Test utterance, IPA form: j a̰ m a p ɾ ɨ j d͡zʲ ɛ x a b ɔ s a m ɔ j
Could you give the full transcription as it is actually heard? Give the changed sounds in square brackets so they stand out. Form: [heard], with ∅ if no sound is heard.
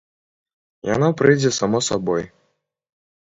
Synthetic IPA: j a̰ [n] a p ɾ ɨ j d͡zʲ ɛ [s] a [m] ɔ s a [b] ɔ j

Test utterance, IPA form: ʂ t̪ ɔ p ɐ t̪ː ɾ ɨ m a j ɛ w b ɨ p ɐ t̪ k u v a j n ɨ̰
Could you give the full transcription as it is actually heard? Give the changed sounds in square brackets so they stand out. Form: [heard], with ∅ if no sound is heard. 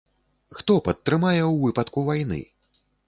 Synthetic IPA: [x] t̪ ɔ p ɐ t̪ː ɾ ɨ m a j ɛ w [v] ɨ p ɐ t̪ k u v a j n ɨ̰

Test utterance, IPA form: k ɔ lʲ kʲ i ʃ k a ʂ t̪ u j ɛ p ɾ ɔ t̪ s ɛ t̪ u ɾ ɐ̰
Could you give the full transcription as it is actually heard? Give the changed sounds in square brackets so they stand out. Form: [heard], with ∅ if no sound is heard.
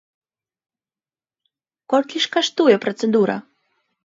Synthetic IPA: k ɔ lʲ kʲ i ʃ k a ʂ t̪ u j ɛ p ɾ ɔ t̪ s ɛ [d̪] u ɾ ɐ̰

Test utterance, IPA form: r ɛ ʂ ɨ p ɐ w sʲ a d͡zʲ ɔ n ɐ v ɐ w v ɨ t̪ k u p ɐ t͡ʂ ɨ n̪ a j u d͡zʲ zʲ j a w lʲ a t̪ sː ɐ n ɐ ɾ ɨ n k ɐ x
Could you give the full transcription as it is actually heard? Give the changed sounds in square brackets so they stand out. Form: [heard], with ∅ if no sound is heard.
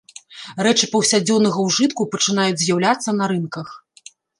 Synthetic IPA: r ɛ [t͡ʂ] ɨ p ɐ w sʲ a d͡zʲ ɔ n ɐ [ɣ] ɐ w [ʐ] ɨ t̪ k u p ɐ t͡ʂ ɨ n̪ a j u d͡zʲ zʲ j a w lʲ a t̪ sː ɐ n ɐ ɾ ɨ n k ɐ x

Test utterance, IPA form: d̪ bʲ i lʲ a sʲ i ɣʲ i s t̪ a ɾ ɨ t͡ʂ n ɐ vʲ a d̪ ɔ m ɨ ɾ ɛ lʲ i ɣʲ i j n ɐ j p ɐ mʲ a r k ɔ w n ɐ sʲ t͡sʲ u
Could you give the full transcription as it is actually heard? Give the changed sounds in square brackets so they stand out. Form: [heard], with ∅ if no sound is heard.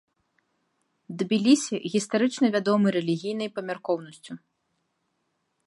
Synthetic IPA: d̪ bʲ i lʲ [i] sʲ i ɣʲ i s t̪ a ɾ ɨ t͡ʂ n ɐ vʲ a d̪ ɔ m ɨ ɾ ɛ lʲ i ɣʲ i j n ɐ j p ɐ mʲ a r k ɔ w n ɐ sʲ t͡sʲ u

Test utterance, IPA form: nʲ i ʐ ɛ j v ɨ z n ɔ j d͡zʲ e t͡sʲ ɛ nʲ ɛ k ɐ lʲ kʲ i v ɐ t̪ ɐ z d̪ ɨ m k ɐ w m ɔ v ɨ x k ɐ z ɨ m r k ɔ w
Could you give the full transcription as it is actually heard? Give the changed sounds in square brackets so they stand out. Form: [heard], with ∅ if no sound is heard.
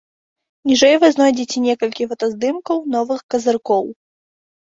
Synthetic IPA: nʲ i ʐ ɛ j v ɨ z n ɔ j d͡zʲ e t͡sʲ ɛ nʲ ɛ k ɐ lʲ kʲ i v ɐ t̪ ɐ z d̪ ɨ m k ɐ w [n] ɔ v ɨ x k ɐ z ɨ [∅] r k ɔ w

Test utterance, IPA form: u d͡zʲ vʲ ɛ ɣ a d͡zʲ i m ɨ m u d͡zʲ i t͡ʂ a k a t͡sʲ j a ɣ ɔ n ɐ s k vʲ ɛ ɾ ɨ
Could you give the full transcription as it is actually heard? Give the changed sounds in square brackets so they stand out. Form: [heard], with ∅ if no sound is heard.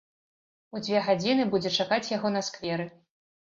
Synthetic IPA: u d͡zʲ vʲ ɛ ɣ a d͡zʲ i [n] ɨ [b] u d͡zʲ [ɛ] t͡ʂ a k a t͡sʲ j a ɣ ɔ n ɐ s k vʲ ɛ ɾ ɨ

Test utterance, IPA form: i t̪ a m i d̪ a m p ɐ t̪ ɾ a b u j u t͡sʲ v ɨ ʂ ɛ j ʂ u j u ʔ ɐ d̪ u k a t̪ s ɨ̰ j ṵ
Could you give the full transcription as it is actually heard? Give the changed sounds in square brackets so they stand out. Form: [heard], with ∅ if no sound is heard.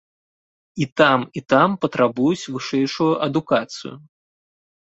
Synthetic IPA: i t̪ a m i [t̪] a m p ɐ t̪ ɾ a b u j u t͡sʲ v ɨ ʂ ɛ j ʂ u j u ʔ ɐ d̪ u k a t̪ s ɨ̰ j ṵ

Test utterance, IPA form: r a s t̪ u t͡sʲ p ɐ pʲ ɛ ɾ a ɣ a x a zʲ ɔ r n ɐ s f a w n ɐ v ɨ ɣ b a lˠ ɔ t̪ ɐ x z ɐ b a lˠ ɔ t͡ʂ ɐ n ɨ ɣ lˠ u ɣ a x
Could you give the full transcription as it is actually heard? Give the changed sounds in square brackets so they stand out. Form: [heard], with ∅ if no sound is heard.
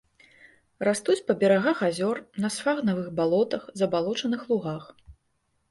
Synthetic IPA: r a s t̪ u t͡sʲ p ɐ [bʲ] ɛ ɾ a ɣ a x a zʲ ɔ r n ɐ s f a [ɣ] n ɐ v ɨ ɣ b a lˠ ɔ t̪ ɐ x z ɐ b a lˠ ɔ t͡ʂ ɐ n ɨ [x] lˠ u ɣ a x

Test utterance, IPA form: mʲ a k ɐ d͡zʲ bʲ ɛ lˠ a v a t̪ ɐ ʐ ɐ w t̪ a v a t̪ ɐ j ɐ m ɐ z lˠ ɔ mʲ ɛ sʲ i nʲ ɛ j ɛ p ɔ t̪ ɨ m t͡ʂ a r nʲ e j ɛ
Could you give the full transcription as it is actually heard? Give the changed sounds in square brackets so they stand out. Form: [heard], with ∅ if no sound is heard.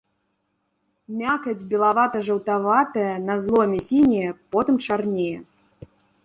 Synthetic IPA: mʲ a k ɐ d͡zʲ bʲ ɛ lˠ a v a t̪ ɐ ʐ ɐ w t̪ a v a t̪ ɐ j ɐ [n] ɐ z lˠ ɔ mʲ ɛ sʲ i nʲ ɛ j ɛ p ɔ t̪ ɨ m t͡ʂ a r nʲ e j ɛ

